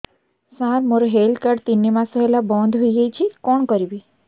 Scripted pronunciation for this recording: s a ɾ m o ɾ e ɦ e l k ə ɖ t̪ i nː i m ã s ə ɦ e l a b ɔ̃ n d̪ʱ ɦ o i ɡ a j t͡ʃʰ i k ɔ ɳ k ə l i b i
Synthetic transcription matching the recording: s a ɾ m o ɾ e ɦ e l k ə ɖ t̪ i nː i m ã s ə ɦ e l a b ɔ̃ n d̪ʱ ɦ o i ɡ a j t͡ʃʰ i k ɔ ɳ k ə ɾ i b i